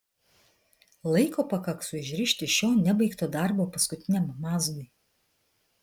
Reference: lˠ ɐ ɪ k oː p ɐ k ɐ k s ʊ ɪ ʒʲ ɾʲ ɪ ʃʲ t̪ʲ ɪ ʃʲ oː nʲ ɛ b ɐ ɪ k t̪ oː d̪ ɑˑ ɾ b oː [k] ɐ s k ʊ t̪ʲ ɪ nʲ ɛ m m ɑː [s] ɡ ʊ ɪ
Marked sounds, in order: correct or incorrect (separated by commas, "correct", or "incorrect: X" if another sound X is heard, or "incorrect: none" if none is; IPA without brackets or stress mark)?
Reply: incorrect: p, incorrect: z